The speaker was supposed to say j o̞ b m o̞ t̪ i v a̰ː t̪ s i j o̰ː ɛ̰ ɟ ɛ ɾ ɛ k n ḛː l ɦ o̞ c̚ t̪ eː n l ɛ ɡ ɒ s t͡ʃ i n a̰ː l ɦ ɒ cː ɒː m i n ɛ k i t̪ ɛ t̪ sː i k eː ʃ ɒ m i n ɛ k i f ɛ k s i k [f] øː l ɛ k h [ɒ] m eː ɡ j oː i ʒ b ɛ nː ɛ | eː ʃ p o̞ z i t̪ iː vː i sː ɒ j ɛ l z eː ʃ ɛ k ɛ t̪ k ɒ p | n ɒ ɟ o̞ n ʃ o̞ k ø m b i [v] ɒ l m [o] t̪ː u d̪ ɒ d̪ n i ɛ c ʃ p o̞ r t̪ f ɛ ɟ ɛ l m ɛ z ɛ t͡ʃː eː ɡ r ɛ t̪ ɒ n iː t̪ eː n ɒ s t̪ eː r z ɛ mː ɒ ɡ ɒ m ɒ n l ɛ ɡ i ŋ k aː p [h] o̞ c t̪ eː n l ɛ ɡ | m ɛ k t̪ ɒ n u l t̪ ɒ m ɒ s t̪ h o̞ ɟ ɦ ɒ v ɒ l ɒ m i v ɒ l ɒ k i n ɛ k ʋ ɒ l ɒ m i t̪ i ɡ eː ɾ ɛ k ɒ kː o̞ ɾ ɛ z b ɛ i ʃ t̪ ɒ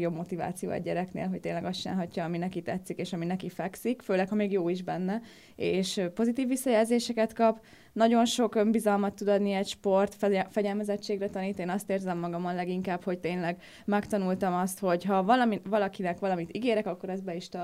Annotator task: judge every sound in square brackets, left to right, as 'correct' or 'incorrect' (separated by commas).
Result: correct, correct, incorrect, incorrect, correct